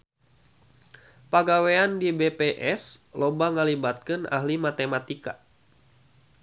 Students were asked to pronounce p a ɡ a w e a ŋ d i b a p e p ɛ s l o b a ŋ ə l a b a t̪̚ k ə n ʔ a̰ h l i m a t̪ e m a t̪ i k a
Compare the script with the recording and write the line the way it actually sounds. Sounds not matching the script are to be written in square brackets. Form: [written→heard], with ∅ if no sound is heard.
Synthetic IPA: p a ɡ a w e a [ŋ→n] d i b [a→e] p e [p→ʔ] ɛ s l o b a ŋ ə l [a→i] b a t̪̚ k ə n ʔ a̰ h l i m a t̪ e m a t̪ i k a